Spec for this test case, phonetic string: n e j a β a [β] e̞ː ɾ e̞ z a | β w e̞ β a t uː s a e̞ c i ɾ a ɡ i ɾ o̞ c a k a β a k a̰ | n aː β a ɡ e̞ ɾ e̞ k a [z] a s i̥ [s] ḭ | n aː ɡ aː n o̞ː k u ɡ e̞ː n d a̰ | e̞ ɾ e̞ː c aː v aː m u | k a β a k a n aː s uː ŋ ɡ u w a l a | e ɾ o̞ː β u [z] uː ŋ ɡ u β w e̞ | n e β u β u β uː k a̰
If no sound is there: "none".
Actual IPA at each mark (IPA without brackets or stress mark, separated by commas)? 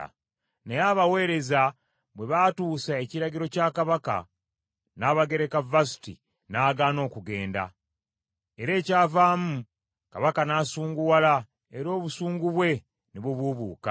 w, v, t, s